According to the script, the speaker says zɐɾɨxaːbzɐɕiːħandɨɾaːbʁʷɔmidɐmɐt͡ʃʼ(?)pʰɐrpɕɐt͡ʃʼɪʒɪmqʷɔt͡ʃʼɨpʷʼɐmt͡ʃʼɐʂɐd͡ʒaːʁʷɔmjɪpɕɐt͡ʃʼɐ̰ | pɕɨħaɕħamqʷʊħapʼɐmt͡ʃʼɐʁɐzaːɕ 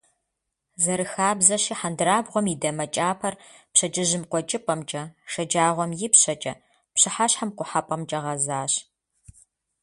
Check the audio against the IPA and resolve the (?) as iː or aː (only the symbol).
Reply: aː